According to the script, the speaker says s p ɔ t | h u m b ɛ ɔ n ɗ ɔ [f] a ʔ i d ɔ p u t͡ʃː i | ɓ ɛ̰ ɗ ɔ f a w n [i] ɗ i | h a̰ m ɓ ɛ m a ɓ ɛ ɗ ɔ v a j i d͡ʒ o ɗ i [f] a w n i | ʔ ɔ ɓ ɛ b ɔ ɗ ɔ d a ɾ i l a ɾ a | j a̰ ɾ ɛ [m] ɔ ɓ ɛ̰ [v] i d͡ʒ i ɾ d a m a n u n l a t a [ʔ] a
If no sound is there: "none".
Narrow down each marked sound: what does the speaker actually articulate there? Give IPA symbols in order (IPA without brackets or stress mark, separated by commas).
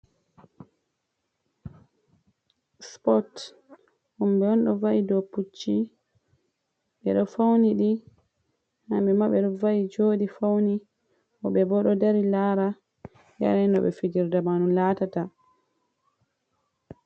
v, i, f, n, f, t